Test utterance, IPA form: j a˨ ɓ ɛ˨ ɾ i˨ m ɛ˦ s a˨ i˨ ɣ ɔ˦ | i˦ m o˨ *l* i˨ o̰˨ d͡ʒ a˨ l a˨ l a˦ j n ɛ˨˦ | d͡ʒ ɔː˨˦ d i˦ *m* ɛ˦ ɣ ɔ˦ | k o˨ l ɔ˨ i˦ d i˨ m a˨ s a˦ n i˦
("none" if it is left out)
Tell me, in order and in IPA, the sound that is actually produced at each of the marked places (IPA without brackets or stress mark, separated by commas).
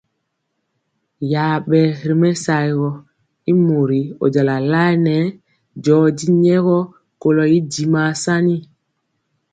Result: ɾ, ɲ